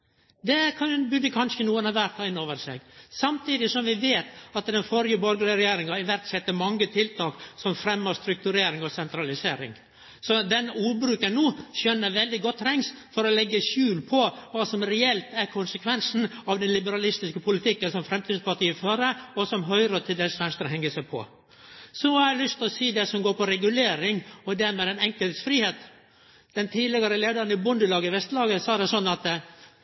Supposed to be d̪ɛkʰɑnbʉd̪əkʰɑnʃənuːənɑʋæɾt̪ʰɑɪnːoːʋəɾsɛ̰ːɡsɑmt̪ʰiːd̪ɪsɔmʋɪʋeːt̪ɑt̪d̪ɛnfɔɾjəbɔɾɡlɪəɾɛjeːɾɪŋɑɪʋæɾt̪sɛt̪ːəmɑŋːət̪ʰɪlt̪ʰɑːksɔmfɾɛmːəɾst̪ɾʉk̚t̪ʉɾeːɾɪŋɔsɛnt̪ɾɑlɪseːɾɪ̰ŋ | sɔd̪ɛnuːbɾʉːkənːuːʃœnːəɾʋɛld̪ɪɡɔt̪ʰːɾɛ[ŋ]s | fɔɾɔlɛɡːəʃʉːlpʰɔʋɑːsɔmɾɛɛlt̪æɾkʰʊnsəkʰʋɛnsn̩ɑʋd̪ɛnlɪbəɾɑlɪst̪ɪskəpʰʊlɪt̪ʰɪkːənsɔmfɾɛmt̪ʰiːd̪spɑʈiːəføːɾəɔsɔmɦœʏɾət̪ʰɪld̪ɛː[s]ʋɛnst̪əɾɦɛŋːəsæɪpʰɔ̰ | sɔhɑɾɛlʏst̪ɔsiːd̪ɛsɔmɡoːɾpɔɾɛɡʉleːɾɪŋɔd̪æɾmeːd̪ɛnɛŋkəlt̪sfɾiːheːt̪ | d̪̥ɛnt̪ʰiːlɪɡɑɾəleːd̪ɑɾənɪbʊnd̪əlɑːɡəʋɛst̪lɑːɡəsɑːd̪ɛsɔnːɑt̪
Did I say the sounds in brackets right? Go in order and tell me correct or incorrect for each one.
correct, correct

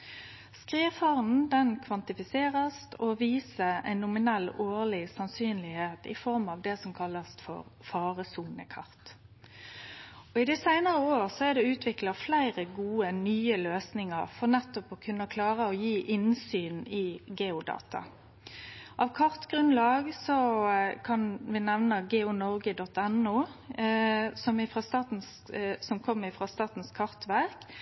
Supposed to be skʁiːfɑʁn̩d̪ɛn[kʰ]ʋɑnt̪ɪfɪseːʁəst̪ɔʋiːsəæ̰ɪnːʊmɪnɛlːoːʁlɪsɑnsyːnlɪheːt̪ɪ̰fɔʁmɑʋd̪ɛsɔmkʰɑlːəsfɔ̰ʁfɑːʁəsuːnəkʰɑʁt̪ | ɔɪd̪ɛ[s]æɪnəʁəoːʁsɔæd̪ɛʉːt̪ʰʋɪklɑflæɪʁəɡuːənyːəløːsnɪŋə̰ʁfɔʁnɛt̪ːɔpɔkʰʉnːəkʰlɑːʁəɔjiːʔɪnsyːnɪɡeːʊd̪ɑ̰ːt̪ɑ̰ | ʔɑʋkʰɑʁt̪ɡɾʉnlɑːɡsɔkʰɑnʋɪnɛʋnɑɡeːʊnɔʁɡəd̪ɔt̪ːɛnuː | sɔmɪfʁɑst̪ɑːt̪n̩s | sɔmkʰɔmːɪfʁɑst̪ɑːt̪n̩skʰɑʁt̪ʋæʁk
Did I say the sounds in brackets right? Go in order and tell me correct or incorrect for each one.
correct, correct

